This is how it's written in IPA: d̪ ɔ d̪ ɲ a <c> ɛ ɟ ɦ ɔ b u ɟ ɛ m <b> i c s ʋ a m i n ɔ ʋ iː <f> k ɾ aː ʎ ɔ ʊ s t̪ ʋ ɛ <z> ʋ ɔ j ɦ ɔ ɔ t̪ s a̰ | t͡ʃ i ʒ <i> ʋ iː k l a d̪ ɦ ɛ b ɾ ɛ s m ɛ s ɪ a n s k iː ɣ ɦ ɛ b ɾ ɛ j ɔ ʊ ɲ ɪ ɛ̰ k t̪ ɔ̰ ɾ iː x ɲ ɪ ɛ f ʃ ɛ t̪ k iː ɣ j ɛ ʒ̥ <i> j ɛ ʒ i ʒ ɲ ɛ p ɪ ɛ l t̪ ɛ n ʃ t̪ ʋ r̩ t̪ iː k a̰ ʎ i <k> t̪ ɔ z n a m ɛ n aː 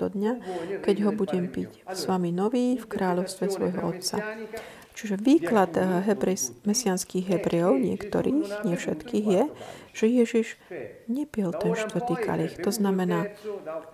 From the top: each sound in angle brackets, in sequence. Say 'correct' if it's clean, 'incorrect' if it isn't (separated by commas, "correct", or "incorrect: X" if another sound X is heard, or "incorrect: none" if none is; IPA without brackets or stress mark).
incorrect: k, incorrect: p, correct, incorrect: s, incorrect: ɛ, incorrect: ɛ, incorrect: x